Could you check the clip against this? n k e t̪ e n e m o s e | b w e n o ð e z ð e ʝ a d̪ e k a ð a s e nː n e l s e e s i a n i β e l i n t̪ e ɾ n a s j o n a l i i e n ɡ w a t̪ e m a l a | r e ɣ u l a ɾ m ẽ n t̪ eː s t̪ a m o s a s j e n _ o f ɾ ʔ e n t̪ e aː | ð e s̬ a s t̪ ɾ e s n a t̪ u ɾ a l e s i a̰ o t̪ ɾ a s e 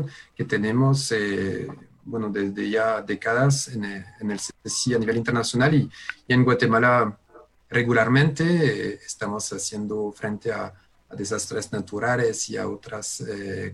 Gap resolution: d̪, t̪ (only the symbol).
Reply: d̪